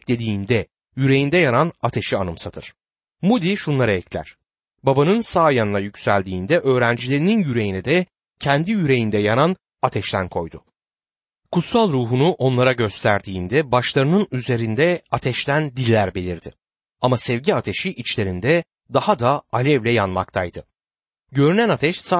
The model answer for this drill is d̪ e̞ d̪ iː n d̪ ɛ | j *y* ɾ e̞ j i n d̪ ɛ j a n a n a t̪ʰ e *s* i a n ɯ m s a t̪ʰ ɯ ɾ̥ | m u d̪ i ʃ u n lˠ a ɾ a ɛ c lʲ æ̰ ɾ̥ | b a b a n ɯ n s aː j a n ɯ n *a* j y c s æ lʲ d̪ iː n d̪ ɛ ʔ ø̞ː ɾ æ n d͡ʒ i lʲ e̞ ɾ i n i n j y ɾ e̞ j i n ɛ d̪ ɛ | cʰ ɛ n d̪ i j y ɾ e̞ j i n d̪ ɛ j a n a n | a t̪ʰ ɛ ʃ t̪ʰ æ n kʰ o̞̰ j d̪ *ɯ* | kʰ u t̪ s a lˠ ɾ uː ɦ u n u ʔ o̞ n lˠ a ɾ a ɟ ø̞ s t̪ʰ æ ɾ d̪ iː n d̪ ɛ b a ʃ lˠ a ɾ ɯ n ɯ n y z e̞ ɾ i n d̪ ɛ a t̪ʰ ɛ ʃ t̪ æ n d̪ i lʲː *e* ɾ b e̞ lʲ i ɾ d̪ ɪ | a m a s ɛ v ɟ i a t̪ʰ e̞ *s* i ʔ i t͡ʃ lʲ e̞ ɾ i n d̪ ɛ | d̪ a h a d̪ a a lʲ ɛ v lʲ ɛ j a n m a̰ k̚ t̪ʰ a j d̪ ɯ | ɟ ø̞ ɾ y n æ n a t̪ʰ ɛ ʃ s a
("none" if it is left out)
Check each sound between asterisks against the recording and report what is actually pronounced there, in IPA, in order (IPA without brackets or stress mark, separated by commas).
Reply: y, ʃ, a, ʊ, æ, ʃ